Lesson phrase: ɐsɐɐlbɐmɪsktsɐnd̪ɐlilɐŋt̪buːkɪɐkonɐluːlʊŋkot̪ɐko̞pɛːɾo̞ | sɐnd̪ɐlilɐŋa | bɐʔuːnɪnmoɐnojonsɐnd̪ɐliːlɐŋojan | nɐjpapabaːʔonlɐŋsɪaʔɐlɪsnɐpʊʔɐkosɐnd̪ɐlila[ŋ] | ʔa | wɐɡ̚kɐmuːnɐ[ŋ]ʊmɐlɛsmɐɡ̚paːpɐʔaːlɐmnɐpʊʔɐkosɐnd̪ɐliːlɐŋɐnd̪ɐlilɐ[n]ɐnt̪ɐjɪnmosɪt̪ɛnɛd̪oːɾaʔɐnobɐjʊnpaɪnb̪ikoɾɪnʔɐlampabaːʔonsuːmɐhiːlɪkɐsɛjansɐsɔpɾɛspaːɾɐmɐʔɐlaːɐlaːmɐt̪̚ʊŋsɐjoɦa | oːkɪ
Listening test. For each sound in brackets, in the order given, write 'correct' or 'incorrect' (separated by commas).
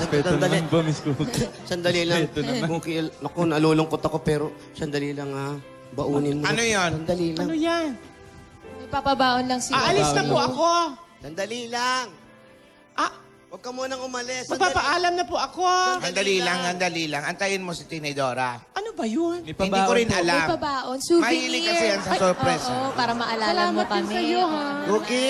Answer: correct, correct, incorrect